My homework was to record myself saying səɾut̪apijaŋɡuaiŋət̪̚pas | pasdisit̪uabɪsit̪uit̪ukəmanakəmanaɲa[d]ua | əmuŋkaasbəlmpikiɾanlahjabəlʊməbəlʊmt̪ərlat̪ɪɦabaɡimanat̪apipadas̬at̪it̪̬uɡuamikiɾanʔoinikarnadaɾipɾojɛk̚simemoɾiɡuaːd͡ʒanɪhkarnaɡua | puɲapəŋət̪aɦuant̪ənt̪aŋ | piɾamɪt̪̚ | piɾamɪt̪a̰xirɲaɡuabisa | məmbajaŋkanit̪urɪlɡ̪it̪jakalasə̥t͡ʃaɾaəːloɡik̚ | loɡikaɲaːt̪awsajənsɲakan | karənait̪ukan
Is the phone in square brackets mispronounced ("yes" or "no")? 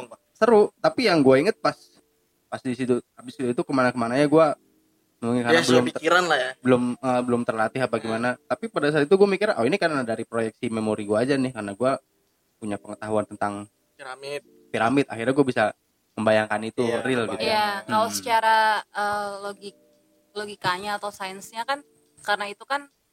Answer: yes